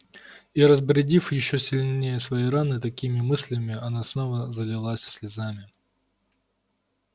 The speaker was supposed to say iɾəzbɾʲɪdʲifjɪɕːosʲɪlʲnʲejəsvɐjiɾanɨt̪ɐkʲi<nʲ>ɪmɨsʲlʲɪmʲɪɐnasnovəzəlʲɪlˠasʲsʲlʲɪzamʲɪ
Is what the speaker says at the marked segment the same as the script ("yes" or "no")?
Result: no